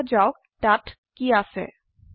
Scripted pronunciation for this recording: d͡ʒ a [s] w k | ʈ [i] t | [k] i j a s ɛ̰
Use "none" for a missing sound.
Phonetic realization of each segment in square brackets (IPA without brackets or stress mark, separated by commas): none, a, k